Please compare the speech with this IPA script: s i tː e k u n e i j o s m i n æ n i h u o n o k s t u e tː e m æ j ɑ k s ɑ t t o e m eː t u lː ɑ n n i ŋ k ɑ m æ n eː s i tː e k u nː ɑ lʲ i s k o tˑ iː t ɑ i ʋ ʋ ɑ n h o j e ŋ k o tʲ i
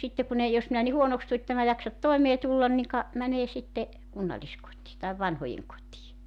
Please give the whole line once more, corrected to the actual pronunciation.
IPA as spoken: s i tː e k u n e i j o s m i n æ n i h u o n o k s t u e tː e m æ j ɑ k s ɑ t t o e m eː t u lː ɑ n n i ŋ k ɑ m æ n eː s i tː e k u nː ɑ lʲ i s k o tˑ iː t ɑ i ʋ ʋ ɑ n h o j e ŋ k o tʲ iː